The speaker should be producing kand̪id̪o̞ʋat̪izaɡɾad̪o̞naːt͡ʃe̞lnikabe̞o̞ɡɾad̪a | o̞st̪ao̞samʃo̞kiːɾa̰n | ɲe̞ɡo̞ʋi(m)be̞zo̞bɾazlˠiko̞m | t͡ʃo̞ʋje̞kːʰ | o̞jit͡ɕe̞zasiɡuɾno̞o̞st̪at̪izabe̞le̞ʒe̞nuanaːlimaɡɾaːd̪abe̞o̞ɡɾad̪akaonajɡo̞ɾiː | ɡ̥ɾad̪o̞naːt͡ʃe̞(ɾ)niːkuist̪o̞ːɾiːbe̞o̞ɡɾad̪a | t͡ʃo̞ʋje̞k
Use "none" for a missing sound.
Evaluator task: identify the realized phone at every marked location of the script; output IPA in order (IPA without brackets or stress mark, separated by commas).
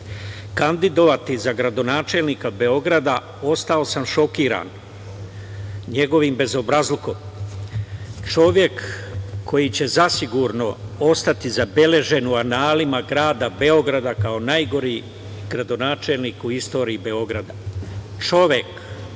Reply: m, l